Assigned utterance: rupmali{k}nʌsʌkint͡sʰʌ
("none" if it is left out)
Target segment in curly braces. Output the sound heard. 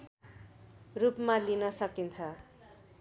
none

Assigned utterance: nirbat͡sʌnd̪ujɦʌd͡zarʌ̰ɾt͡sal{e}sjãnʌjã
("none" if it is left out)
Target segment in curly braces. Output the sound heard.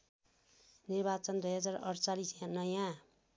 i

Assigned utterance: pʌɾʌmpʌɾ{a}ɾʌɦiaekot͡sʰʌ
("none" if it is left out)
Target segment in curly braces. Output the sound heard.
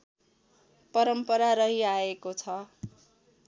a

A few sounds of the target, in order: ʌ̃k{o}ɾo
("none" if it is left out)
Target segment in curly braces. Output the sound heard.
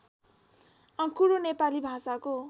u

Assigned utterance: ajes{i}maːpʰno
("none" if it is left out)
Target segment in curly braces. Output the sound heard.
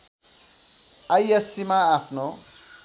i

